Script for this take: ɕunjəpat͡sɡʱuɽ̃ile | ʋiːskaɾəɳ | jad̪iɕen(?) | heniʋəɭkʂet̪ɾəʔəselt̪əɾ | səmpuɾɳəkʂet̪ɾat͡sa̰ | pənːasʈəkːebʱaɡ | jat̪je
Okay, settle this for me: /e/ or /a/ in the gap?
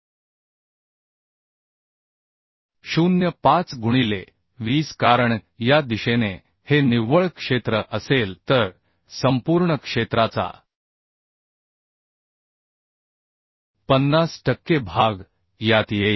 e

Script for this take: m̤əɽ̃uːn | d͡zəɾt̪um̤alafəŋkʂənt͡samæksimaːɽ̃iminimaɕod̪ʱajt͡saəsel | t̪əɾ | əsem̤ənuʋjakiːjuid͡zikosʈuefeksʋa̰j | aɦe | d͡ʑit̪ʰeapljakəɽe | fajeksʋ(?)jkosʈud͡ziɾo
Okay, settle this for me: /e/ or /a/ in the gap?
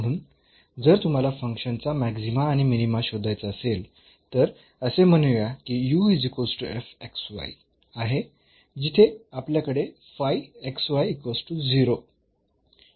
a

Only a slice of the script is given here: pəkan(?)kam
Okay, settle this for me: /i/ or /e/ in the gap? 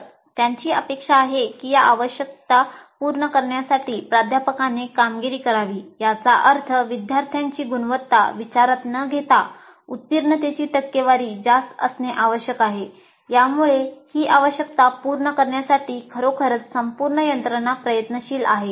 e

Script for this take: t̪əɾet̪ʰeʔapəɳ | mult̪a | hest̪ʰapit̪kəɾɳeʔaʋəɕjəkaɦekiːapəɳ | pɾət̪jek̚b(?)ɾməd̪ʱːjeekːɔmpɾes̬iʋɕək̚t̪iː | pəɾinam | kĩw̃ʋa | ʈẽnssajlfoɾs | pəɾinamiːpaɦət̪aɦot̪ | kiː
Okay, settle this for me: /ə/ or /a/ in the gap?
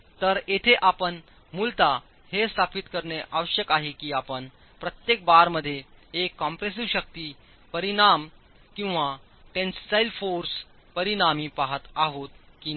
a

